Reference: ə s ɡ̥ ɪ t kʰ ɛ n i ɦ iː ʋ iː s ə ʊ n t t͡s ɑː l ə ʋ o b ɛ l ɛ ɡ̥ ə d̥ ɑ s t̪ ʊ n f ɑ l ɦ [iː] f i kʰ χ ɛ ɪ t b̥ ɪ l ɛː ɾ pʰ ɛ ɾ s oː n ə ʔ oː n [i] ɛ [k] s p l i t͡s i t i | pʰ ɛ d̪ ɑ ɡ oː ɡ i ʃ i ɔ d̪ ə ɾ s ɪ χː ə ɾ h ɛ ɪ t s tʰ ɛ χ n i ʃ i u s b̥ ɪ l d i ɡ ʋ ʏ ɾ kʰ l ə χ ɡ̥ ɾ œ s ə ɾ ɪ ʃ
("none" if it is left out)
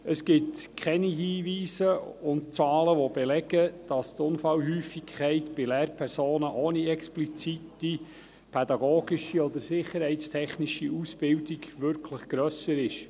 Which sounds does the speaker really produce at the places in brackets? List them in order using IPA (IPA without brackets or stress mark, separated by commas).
yː, i, k